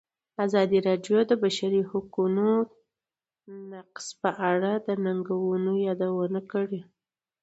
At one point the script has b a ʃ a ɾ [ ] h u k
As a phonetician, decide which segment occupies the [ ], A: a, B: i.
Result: B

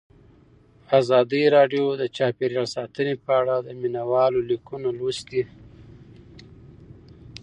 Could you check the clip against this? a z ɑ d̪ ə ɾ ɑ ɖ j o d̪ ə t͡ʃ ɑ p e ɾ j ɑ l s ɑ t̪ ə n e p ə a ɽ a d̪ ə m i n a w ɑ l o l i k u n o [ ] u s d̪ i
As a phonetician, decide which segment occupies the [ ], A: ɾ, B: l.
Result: B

